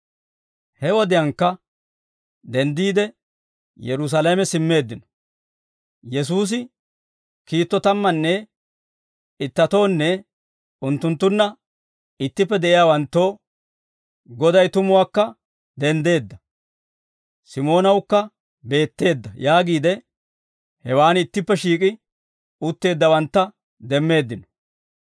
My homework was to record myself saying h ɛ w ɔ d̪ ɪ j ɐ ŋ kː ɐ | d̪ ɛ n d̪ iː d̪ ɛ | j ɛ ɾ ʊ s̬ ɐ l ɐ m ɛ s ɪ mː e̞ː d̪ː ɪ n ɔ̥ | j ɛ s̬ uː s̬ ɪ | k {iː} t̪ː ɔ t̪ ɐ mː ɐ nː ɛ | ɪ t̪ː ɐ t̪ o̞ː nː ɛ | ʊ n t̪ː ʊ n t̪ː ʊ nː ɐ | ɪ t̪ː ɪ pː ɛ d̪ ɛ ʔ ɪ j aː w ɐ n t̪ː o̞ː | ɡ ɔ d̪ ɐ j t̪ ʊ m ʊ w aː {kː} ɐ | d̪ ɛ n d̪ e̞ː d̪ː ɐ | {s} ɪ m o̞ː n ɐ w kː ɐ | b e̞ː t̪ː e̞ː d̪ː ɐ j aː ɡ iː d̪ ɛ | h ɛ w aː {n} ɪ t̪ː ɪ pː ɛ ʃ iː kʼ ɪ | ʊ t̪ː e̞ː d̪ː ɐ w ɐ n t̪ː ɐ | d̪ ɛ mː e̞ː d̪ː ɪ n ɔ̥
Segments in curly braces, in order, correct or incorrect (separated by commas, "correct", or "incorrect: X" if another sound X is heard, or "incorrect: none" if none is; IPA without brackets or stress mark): correct, correct, correct, correct